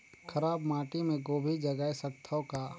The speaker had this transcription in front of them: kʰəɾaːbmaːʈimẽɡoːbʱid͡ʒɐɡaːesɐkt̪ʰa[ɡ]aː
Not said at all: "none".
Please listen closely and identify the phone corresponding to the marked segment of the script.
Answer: k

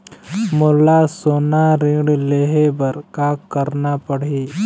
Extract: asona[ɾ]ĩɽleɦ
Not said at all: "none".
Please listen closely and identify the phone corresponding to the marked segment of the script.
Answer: ɾ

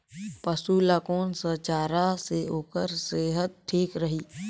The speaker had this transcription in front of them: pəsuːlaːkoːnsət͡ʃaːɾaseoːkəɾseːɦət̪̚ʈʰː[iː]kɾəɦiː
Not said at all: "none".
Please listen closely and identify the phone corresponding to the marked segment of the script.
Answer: iː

